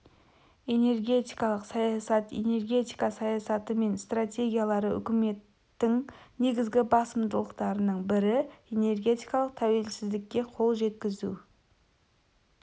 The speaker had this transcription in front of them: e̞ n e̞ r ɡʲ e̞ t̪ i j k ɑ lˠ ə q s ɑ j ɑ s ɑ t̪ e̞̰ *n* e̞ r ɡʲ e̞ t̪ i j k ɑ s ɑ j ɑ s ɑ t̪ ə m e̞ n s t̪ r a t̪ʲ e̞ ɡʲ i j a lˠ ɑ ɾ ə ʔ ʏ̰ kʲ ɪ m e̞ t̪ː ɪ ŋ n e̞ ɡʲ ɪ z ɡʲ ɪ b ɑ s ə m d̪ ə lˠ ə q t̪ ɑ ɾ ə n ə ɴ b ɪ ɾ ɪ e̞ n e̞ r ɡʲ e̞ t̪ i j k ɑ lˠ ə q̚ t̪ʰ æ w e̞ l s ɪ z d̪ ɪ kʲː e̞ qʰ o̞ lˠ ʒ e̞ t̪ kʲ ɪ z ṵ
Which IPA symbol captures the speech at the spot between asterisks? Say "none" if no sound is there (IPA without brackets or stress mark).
n